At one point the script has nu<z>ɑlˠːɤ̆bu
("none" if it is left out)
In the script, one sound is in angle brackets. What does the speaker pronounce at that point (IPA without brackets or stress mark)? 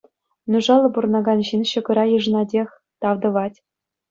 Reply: ʐ